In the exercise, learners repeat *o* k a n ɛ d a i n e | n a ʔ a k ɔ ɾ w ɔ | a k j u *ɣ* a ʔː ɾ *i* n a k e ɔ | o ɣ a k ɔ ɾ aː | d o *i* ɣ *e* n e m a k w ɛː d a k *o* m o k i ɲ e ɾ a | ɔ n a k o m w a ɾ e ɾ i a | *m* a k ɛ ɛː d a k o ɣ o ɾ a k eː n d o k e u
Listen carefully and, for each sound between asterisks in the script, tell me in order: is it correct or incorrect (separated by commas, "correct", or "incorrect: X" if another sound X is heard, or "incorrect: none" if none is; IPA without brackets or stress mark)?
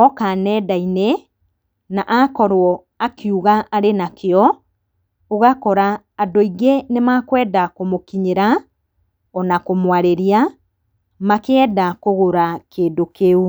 incorrect: ɔ, correct, incorrect: e, correct, correct, correct, correct